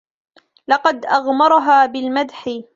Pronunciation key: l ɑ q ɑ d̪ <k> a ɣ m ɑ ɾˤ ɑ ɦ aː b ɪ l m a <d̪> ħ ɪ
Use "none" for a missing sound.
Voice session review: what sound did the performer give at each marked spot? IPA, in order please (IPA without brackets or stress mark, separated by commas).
ʔ, d̪